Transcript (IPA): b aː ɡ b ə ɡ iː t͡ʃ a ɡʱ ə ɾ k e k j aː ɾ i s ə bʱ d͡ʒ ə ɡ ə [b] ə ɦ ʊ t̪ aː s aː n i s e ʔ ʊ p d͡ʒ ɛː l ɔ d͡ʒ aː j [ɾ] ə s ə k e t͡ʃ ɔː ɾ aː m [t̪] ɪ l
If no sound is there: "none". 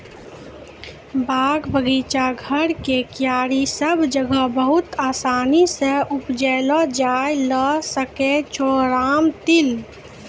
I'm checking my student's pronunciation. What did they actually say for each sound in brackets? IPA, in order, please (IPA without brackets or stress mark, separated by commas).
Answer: b, l, t̪